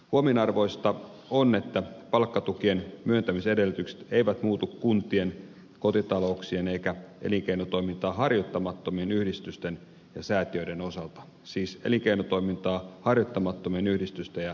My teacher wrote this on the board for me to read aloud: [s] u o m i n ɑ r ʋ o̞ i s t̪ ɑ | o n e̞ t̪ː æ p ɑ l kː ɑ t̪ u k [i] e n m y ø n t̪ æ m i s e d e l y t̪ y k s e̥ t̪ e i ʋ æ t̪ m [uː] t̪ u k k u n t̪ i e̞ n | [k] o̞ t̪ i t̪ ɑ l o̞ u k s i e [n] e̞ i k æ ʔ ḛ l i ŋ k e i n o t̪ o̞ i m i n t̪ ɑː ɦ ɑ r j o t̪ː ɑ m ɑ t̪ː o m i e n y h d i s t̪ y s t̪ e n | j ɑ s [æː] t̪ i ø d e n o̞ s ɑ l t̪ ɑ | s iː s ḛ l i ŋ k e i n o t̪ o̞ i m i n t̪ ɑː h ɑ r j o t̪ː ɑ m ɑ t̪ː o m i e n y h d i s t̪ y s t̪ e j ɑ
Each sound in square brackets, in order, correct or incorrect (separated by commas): incorrect, correct, correct, correct, correct, correct